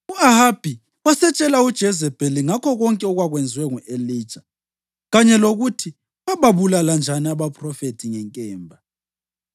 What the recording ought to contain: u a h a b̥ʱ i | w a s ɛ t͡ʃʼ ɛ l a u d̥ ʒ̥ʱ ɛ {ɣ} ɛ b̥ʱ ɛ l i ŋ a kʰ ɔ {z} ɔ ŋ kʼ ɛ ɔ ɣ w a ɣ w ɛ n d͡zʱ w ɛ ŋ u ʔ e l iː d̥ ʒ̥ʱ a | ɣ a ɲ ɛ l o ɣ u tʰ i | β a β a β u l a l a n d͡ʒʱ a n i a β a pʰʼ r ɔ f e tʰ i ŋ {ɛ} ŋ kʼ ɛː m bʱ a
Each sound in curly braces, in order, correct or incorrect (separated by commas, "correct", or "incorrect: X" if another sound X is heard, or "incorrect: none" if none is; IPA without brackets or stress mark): incorrect: z, incorrect: ɣ, correct